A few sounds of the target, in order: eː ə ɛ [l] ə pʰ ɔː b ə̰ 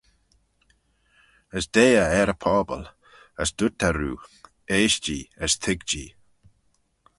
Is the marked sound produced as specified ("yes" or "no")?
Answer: no